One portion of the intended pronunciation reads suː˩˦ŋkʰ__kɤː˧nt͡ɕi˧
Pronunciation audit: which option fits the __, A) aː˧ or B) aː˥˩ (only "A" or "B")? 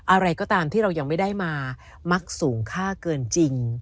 B